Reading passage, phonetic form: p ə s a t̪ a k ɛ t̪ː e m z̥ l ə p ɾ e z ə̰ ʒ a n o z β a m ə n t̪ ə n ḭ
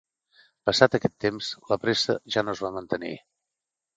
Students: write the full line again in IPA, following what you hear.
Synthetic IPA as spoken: p ə s a t̪ ə k ɛ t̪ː e m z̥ l ə p ɾ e s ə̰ ʒ a n o z β a m ə n t̪ ə n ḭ